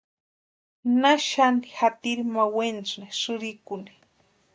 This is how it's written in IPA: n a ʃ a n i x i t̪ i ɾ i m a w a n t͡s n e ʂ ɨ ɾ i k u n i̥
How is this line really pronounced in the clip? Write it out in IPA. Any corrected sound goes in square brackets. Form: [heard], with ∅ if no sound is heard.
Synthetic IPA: n a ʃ a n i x [a] t̪ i ɾ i m a w [e] n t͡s n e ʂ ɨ ɾ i k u n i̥